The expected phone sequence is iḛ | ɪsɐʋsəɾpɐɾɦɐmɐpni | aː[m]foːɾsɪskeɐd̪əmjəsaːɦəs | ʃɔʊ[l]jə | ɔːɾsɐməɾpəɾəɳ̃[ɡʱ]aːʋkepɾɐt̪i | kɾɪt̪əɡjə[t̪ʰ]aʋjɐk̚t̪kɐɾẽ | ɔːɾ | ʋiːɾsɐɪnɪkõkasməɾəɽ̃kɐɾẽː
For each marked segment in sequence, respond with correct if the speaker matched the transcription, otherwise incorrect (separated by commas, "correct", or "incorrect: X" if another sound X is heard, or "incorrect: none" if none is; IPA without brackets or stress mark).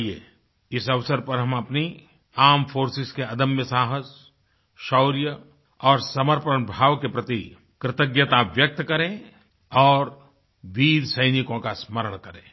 correct, incorrect: ɾ, incorrect: bʱ, incorrect: t̪